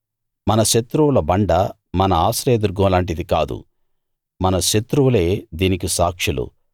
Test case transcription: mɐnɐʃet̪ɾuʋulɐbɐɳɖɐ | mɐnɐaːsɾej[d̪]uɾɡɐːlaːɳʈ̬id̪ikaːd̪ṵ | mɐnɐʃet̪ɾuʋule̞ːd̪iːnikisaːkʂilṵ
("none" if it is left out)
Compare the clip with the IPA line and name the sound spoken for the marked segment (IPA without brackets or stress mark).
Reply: d̪